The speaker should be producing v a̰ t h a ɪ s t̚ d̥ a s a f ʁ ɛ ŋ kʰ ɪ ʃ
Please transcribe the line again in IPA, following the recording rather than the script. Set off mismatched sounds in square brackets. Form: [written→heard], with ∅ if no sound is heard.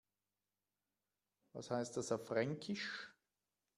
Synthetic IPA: v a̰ [t→s] h a ɪ s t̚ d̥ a s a f ʁ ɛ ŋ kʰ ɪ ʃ